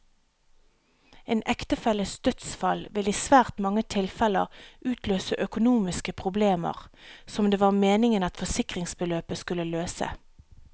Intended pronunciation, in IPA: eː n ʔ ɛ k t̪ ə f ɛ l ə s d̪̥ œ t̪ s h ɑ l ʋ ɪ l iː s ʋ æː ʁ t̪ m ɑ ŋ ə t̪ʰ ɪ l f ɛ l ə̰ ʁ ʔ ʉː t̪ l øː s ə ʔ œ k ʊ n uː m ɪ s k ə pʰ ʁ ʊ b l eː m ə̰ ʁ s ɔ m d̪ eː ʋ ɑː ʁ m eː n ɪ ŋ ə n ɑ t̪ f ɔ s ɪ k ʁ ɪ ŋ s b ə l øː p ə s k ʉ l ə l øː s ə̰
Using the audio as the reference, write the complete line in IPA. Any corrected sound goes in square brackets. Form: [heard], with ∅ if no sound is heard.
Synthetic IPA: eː n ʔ ɛ k t̪ ə f ɛ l ə s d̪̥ œ t̪ s [f] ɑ l ʋ ɪ l iː s ʋ æː ʁ t̪ m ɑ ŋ ə t̪ʰ ɪ l f ɛ l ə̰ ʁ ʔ ʉː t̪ l øː s ə ʔ œ k ʊ n uː m ɪ s k ə pʰ ʁ ʊ b l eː m ə̰ ʁ s ɔ m d̪ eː ʋ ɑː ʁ m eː n ɪ ŋ ə n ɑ t̪ f ɔ s ɪ k ʁ ɪ ŋ s b ə l øː p ə s k ʉ l ə l øː s ə̰